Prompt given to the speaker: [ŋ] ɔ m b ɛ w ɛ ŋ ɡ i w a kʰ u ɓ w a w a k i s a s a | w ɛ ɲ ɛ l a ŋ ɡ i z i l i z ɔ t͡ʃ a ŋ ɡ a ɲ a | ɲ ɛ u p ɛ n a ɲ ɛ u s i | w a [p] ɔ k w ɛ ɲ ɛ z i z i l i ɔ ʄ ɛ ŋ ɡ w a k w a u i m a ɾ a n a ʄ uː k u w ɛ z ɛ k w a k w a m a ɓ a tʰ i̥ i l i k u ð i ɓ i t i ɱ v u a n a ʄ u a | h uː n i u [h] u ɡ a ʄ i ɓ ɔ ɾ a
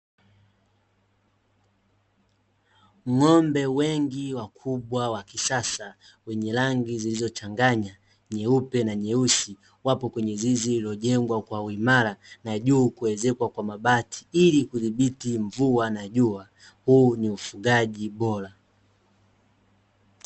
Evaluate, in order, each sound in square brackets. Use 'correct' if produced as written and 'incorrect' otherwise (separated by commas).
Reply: correct, correct, incorrect